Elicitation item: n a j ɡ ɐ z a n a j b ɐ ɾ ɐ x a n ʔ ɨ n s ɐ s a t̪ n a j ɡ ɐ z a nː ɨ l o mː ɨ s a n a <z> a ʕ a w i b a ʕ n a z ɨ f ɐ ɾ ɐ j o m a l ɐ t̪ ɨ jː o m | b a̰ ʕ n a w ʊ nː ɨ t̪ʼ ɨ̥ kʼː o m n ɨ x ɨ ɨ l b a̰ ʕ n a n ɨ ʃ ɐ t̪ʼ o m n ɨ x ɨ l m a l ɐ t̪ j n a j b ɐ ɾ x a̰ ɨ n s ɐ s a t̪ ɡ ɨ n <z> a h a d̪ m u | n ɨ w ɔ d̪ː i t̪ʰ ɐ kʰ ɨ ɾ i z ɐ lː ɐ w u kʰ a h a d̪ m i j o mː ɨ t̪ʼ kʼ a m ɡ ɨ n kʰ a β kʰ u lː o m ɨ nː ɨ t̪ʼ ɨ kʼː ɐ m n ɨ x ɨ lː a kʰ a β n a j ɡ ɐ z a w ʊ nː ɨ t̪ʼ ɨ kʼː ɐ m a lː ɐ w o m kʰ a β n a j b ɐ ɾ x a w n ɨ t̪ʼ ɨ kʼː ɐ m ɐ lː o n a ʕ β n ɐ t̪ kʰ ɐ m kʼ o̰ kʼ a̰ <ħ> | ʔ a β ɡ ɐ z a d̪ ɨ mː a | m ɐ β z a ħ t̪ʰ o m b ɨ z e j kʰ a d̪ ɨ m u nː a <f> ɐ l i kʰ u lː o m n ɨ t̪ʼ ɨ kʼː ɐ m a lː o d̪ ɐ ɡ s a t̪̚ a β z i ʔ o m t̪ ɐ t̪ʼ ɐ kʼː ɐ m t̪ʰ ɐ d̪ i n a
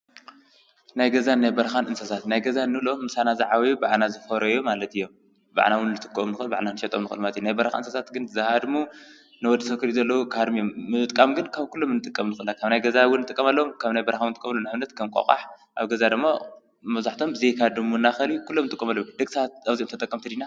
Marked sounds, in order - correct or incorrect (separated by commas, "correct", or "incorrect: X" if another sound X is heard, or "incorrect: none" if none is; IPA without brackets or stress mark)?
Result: correct, correct, correct, incorrect: x